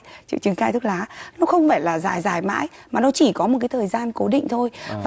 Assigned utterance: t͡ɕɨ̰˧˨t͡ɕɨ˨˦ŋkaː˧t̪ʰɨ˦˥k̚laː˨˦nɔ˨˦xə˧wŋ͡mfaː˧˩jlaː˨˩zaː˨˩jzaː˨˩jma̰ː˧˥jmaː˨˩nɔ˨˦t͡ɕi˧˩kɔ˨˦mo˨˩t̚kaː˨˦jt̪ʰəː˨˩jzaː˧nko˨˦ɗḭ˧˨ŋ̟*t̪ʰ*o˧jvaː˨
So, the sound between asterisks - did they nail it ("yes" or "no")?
yes